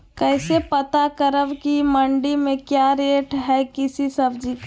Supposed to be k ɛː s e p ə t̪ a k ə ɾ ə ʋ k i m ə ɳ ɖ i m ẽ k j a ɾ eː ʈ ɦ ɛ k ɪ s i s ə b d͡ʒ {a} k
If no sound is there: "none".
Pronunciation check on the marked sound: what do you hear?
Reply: i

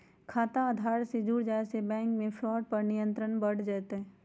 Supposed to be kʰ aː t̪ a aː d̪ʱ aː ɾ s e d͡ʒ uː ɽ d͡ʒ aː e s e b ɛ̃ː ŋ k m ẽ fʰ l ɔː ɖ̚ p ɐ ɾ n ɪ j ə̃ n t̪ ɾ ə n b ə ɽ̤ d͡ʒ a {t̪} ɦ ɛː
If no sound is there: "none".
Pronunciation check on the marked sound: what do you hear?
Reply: t̪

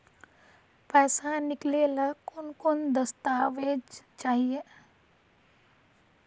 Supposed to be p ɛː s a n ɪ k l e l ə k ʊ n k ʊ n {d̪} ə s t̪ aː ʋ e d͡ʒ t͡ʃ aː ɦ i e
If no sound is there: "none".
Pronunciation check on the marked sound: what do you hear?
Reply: d̪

